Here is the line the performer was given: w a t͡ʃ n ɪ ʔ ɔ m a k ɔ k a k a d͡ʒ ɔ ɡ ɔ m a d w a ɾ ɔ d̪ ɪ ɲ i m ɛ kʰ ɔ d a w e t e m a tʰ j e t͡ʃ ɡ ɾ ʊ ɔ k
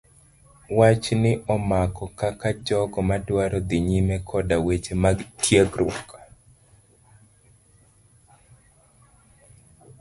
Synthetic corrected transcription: w a t͡ʃ n ɪ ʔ ɔ m a k ɔ k a k a d͡ʒ ɔ ɡ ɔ m a d w a ɾ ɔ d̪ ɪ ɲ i m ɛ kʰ ɔ d a w e t͡ʃ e m a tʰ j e ɡ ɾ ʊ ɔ k